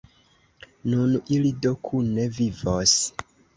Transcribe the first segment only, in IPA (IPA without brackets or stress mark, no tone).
n